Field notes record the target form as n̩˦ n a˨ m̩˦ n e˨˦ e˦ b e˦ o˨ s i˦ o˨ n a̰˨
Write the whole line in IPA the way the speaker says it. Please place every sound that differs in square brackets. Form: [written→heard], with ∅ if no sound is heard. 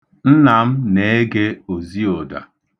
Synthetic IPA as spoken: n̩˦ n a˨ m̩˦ n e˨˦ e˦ [b→ɡ] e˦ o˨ [s→z] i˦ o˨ [n→d] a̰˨